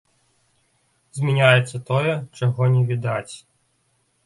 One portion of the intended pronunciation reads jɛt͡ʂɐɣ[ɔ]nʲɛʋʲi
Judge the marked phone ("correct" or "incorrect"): correct